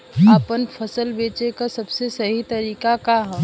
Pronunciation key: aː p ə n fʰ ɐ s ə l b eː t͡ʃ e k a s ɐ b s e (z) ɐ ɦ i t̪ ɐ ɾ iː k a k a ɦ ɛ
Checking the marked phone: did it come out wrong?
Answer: yes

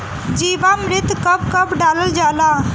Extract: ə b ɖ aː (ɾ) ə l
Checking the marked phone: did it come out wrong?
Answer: yes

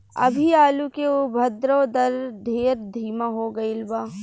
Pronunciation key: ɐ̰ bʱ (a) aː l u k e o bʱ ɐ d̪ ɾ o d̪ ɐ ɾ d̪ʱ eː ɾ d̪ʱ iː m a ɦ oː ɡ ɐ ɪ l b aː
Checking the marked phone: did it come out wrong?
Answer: yes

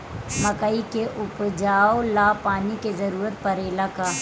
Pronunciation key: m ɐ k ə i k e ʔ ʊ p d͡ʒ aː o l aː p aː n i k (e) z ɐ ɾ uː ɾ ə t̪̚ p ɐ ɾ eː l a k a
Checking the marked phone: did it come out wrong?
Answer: no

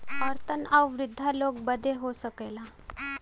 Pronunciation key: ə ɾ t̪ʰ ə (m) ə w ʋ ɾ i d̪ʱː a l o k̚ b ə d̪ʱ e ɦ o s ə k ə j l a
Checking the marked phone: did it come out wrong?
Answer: yes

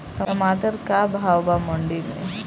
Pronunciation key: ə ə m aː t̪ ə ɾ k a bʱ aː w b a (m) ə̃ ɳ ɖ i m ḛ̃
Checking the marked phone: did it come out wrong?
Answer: no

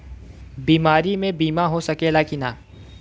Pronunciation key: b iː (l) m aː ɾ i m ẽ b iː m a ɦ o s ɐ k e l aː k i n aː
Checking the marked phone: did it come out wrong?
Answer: yes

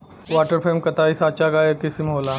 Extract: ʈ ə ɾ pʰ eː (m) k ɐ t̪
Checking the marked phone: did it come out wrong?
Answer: no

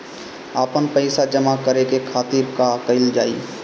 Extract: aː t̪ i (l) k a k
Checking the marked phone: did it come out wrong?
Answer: yes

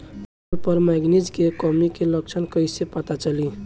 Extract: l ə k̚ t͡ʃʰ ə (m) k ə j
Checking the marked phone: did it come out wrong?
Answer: yes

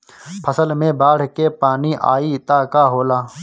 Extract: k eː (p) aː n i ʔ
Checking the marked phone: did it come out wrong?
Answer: no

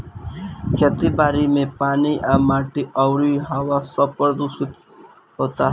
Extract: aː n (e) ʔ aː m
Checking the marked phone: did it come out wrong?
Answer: yes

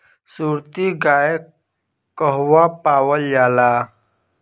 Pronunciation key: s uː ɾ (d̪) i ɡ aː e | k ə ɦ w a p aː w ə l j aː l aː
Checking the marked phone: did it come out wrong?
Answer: yes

